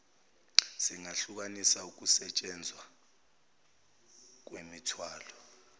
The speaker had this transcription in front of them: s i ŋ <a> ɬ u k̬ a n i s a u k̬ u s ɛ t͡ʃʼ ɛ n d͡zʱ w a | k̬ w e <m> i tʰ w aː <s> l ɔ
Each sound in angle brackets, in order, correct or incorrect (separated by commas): correct, correct, incorrect